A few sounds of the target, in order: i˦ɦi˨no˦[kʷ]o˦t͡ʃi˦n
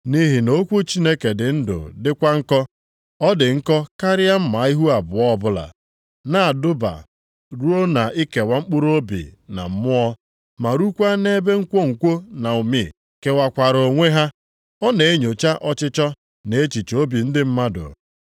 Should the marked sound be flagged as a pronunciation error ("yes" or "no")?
no